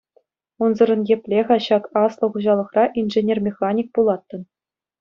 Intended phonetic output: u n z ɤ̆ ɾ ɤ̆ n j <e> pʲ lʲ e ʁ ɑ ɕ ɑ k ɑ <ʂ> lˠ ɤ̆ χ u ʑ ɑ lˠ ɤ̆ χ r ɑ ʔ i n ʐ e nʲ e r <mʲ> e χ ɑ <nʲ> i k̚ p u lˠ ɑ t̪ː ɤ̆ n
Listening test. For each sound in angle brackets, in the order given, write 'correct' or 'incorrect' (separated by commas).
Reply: correct, incorrect, correct, correct